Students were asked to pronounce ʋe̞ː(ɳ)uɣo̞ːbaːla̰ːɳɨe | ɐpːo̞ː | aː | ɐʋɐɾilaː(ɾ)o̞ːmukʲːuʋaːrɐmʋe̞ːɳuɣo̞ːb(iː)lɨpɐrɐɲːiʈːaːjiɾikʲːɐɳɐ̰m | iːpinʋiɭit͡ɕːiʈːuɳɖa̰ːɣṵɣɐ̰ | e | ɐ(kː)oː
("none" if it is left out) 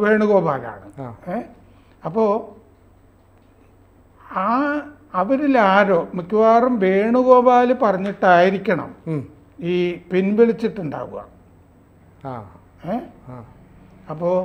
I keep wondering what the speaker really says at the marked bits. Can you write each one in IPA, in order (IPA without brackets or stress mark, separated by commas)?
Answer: ɳ, ɾ, aː, pː